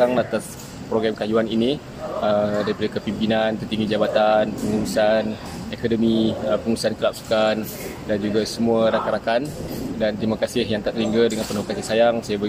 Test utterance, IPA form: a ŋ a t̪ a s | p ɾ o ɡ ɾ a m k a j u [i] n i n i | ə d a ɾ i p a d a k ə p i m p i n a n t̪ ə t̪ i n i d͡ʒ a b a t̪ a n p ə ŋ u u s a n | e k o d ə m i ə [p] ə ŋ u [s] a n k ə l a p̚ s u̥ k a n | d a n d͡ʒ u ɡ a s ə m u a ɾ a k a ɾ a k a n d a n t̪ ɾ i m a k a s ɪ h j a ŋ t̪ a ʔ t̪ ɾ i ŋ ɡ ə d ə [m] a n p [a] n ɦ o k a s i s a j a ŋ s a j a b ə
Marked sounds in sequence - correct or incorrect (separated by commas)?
incorrect, correct, correct, incorrect, incorrect